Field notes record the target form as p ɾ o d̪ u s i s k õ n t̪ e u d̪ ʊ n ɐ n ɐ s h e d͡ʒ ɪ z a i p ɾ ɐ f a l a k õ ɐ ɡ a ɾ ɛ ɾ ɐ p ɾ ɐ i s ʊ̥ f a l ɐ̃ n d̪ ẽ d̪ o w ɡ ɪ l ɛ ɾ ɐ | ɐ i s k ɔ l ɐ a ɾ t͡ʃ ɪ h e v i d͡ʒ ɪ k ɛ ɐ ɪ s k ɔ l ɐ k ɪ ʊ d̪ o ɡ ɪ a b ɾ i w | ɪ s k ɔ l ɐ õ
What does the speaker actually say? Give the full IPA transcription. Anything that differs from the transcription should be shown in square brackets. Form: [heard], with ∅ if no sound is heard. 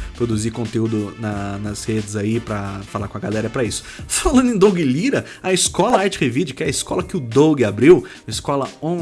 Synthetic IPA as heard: p ɾ o d̪ u [z] i [∅] k õ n t̪ e u d̪ ʊ n ɐ n ɐ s h e d͡ʒ ɪ z a i p ɾ ɐ f a l a k õ ɐ ɡ a [l] ɛ ɾ ɐ p ɾ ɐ i s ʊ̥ f a l ɐ̃ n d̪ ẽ d̪ o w ɡ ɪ l [i] ɾ ɐ | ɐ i s k ɔ l ɐ a ɾ t͡ʃ ɪ h e v i d͡ʒ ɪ k ɛ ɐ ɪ s k ɔ l ɐ k ɪ ʊ d̪ o ɡ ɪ a b ɾ i w | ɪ s k ɔ l ɐ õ